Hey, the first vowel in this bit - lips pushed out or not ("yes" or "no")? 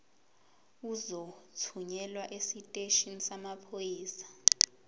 yes